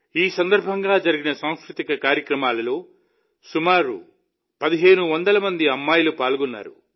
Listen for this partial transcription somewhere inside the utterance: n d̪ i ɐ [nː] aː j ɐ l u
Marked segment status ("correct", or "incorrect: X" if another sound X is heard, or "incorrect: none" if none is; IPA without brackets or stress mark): incorrect: mː